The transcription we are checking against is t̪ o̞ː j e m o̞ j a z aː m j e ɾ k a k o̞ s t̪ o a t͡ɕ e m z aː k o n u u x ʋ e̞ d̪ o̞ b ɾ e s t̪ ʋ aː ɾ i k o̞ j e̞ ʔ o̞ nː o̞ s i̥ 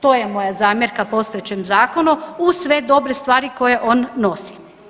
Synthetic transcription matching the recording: t̪ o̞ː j e m o̞ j a z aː m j e ɾ k a p o̞ s t̪ o e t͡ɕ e m z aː k o n u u s ʋ e̞ d̪ o̞ b ɾ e s t̪ ʋ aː ɾ i k o̞ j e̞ ʔ o̞ nː o̞ s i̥